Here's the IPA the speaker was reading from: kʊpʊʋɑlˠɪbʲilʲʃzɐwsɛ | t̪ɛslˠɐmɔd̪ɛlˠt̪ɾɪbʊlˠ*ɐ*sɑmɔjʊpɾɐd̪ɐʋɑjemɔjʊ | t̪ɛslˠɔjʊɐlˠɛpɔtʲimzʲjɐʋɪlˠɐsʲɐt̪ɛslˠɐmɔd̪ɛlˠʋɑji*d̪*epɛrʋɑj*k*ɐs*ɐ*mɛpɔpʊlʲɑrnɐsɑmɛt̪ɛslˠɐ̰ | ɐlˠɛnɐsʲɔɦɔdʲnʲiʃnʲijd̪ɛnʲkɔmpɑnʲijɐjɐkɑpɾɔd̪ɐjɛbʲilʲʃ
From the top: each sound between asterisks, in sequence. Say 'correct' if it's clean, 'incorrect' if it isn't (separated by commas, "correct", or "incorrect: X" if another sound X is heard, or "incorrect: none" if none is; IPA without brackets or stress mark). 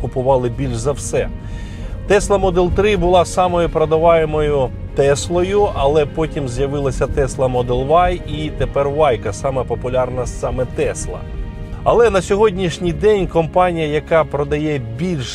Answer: incorrect: ɑ, incorrect: t̪, correct, incorrect: ɑ